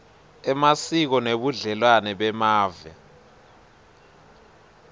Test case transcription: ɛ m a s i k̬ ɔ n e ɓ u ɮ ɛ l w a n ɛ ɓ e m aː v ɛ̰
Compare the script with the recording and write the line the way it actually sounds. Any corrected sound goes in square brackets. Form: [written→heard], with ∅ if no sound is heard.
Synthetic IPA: ɛ m a s i k̬ ɔ n e ɓ u ɮ ɛ l w a n ɛ ɓ [e→ɛ] m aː v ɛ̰